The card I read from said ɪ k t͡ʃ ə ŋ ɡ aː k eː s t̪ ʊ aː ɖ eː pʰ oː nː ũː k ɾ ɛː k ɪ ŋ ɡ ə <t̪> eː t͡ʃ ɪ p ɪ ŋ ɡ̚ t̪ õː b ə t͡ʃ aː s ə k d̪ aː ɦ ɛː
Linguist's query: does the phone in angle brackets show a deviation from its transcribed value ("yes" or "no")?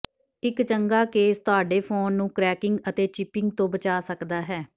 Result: no